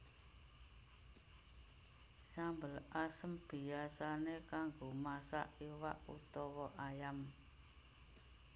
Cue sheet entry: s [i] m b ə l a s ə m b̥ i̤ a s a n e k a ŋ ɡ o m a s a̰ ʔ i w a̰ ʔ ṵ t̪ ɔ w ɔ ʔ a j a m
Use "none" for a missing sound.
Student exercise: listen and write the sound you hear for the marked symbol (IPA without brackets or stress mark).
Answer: a